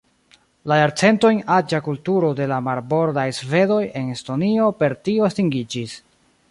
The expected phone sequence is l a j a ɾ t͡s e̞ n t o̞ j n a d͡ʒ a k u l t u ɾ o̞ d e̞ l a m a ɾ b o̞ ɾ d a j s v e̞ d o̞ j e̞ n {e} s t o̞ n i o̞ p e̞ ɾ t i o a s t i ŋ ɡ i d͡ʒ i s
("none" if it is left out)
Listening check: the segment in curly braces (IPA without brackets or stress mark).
e